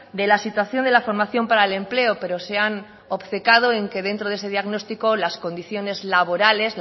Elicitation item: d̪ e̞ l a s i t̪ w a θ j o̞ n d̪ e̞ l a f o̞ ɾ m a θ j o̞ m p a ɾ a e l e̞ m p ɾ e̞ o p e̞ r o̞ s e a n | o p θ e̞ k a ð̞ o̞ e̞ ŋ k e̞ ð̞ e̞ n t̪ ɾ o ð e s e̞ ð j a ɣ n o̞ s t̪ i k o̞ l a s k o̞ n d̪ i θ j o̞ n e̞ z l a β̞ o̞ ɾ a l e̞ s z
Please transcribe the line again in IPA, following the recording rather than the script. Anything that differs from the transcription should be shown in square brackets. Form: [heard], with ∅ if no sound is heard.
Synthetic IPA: d̪ e̞ l a s i t̪ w a θ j o̞ n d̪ e̞ l a f o̞ ɾ m a θ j o̞ m p a ɾ a e l e̞ m p [l] e̞ o p e̞ [ɾ] o̞ s e a n | o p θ e̞ k a ð̞ o̞ e̞ ŋ k e̞ ð̞ e̞ n t̪ ɾ o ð e s e̞ ð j a ɣ n o̞ s t̪ i k o̞ l a s k o̞ n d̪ i θ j o̞ n e̞ z l a β̞ o̞ ɾ a l e̞ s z